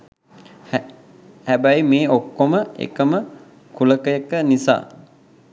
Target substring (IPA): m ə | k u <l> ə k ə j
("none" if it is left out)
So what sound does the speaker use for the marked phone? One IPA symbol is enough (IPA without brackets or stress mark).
l